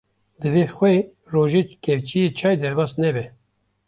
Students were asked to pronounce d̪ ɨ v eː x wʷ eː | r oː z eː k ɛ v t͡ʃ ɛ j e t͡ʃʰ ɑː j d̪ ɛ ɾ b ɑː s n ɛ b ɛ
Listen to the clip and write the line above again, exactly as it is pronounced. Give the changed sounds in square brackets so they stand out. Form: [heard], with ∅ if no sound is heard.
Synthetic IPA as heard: d̪ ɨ v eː x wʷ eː | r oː [ʒ] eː k ɛ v t͡ʃ [i] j e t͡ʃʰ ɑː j d̪ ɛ ɾ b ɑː s n ɛ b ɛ